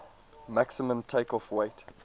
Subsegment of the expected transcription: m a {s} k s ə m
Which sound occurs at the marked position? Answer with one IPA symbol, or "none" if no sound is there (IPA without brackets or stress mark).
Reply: none